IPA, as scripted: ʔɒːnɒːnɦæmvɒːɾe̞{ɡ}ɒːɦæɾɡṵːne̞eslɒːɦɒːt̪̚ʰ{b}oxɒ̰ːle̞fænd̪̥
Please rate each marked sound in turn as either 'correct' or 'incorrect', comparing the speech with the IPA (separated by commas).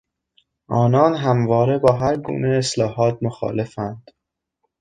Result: incorrect, incorrect